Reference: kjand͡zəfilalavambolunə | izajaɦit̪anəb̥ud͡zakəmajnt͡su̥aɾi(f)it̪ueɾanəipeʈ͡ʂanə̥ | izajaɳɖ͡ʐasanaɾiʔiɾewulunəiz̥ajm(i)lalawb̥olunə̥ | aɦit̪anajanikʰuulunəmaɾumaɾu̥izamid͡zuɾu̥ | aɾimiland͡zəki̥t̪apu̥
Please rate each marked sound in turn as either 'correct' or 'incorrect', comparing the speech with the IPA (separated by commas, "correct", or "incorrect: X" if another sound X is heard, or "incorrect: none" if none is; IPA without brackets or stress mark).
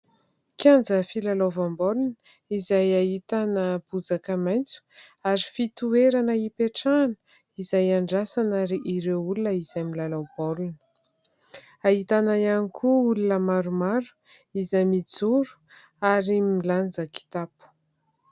correct, correct